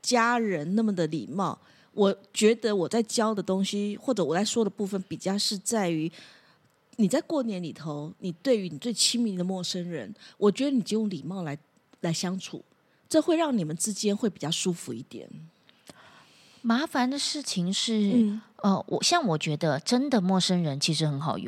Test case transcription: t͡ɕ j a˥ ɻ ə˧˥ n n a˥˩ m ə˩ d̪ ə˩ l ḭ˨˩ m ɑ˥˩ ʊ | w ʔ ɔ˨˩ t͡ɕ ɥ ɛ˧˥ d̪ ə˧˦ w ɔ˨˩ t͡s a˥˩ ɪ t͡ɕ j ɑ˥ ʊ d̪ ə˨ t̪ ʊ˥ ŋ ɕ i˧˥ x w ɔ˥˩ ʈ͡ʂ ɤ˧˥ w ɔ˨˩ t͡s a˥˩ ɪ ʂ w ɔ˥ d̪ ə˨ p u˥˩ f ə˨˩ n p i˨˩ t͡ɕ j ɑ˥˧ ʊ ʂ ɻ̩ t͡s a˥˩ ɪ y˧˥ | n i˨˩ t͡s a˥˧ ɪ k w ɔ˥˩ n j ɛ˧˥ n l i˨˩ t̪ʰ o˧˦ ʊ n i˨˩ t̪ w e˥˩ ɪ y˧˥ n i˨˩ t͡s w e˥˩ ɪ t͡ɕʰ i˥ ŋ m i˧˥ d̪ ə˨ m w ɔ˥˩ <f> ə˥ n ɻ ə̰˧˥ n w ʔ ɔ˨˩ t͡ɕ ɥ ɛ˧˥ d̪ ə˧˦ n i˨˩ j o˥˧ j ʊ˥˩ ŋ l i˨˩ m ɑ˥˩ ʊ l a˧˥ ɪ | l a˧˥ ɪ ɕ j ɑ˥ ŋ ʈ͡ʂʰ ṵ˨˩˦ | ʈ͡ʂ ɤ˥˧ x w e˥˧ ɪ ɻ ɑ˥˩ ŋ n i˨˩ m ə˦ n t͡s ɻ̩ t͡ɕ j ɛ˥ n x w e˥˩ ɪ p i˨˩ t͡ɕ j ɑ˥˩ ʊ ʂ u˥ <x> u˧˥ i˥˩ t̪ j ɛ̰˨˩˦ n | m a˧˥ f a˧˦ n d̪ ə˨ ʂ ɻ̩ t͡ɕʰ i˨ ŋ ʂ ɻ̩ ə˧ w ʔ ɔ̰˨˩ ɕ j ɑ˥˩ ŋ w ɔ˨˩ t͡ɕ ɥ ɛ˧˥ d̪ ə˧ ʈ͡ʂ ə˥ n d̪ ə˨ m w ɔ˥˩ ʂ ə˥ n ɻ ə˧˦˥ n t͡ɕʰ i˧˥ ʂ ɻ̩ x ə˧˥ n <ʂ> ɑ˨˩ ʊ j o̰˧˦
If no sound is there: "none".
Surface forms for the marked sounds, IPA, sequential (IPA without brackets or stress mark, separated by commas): ʂ, f, x